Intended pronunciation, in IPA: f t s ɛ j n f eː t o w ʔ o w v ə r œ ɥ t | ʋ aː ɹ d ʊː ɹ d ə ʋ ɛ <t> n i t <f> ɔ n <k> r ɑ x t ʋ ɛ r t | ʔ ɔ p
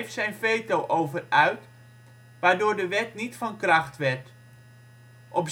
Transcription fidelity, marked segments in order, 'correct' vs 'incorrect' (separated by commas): correct, correct, correct